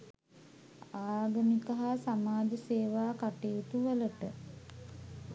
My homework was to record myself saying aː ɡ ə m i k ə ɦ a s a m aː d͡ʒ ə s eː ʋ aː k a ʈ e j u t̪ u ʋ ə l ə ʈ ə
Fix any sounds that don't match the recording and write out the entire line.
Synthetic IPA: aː ɡ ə m i k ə ɦ a s a m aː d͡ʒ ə s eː ʋ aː k a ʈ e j u t̪ u ʋ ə l ə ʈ ə